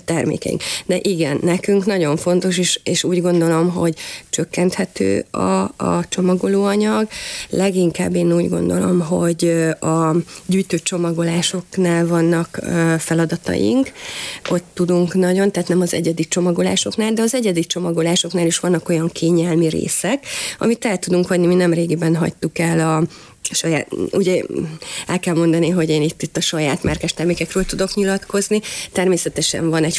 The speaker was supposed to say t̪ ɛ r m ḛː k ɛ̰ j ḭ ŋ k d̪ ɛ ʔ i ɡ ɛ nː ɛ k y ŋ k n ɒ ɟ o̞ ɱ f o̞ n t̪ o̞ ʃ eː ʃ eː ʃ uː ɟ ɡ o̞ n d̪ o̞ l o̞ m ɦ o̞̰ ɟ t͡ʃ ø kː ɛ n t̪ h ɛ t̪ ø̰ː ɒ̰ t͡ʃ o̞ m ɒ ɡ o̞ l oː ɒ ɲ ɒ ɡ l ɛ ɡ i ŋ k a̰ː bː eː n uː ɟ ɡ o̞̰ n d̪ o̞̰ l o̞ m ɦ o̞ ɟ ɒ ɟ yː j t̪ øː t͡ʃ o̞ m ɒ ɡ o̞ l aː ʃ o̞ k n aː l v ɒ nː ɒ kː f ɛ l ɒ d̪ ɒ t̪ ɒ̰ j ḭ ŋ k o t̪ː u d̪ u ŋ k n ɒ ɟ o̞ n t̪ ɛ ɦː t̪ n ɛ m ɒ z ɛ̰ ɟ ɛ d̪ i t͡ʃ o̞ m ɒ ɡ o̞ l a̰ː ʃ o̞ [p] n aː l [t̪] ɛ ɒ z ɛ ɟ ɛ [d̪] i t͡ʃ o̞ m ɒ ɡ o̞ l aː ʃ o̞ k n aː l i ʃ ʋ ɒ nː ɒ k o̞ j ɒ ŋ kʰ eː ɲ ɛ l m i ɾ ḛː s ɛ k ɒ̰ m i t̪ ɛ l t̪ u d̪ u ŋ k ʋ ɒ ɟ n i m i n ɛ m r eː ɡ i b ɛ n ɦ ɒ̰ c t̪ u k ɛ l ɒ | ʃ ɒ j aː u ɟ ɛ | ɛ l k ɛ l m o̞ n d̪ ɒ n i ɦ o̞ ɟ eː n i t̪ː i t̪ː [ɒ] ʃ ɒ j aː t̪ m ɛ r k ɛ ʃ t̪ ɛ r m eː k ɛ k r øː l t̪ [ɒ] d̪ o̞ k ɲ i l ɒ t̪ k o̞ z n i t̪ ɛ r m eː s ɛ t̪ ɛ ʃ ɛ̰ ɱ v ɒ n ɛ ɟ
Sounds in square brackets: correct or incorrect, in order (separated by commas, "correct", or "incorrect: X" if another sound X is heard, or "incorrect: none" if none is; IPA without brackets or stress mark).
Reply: incorrect: k, incorrect: d̪, correct, correct, incorrect: u